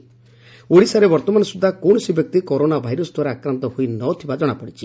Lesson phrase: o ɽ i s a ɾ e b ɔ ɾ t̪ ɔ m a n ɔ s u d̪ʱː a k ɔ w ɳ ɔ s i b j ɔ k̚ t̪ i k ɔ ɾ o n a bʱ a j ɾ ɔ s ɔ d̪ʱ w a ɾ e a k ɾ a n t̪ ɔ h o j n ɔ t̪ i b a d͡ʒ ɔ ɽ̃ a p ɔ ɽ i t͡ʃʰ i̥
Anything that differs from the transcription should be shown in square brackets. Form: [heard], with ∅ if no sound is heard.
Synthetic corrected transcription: o ɽ i s a ɾ e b ɔ ɾ t̪ ɔ m a n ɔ s u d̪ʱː a k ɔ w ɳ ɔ s i b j ɔ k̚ t̪ i k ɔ ɾ o n a bʱ a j ɾ ɔ s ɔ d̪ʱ w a ɾ e a k ɾ a n t̪ ɔ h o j n ɔ [t̪ʰ] i b a d͡ʒ ɔ ɽ̃ a p ɔ ɽ i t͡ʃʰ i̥